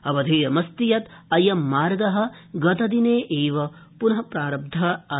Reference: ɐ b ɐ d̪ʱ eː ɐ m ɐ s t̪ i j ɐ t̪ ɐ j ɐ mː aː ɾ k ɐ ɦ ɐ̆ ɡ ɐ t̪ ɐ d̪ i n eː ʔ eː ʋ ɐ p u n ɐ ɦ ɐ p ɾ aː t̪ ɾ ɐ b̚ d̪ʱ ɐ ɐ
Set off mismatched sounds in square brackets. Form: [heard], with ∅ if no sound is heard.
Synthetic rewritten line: ɐ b ɐ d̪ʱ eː ɐ m ɐ s t̪ i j ɐ t̪ ɐ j ɐ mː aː ɾ [ɡ] ɐ ɦ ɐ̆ ɡ ɐ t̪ ɐ d̪ i n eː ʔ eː ʋ ɐ p u n ɐ ɦ ɐ p ɾ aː [∅] ɾ ɐ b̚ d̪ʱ ɐ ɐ